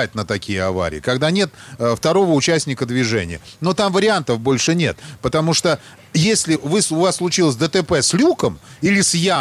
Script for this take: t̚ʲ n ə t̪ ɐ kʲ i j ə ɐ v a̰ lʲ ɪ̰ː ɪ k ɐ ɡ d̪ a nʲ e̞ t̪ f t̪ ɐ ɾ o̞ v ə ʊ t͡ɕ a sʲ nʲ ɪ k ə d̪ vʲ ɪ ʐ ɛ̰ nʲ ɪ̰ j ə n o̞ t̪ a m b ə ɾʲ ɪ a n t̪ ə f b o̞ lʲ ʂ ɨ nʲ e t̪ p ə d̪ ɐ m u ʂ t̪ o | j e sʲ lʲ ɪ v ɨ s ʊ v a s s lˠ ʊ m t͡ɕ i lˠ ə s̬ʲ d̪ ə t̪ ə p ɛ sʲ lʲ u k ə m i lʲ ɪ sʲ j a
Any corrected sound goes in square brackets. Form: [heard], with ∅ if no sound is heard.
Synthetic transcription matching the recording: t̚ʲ n ə t̪ ɐ kʲ i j ə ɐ v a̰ [ɾʲ] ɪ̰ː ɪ k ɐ ɡ d̪ a nʲ e̞ t̪ f t̪ ɐ ɾ o̞ v ə ʊ t͡ɕ [æ] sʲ nʲ ɪ k ə d̪ vʲ ɪ ʐ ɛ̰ nʲ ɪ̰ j ə n o̞ t̪ a m [v] ə ɾʲ ɪ a n t̪ ə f b o̞ lʲ ʂ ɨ nʲ e t̪ p ə [t̪] ɐ m u ʂ t̪ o | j e sʲ lʲ ɪ v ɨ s ʊ v a s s lˠ ʊ [∅] t͡ɕ i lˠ ə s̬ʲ d̪ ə t̪ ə p ɛ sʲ lʲ u k ə m i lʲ ɪ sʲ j a